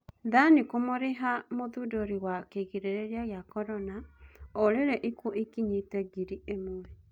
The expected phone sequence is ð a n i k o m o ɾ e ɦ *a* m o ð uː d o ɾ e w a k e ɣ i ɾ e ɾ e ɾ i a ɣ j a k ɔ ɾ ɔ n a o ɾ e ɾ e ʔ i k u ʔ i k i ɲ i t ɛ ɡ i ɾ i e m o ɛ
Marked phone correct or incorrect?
correct